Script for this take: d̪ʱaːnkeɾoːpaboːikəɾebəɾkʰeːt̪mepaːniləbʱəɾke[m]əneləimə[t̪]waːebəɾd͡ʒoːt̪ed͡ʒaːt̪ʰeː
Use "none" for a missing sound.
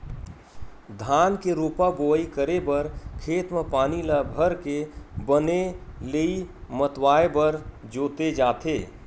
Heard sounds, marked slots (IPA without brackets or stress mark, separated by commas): b, t̪